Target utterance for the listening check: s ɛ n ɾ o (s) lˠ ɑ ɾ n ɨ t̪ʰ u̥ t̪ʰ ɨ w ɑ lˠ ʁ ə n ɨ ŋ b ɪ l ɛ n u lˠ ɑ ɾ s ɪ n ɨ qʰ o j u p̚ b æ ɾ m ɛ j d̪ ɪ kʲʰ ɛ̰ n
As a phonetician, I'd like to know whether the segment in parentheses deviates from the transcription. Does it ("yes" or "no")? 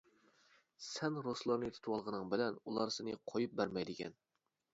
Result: no